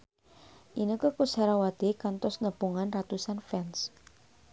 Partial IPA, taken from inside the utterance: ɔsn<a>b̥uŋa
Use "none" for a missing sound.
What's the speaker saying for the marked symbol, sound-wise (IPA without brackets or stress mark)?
ə